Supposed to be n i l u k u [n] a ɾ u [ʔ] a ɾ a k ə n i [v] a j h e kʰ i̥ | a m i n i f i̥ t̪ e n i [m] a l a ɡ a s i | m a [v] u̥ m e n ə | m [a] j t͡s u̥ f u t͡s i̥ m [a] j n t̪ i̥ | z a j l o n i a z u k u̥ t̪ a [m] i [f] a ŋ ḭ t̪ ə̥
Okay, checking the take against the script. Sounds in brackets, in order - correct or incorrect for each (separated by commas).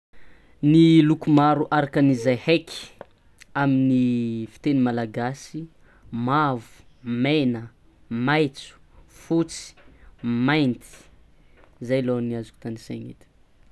incorrect, correct, incorrect, correct, correct, correct, correct, incorrect, incorrect